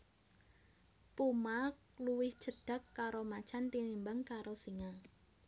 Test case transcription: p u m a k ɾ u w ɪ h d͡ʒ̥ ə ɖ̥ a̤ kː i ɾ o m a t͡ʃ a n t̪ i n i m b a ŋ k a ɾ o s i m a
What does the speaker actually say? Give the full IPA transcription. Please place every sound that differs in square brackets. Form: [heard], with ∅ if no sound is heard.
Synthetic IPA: p u m a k [l] u w ɪ h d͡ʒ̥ ə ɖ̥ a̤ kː [a] ɾ o m a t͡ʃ a n t̪ i n i m b a ŋ k a ɾ o s i [ŋ] a